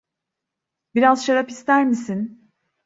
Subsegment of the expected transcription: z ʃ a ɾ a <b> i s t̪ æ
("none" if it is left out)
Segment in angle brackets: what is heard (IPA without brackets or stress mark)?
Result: p